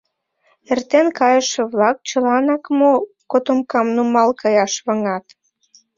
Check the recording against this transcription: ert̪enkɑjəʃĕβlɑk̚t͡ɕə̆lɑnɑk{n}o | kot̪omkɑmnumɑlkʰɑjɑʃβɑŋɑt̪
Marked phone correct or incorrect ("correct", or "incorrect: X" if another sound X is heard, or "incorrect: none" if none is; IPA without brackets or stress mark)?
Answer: incorrect: m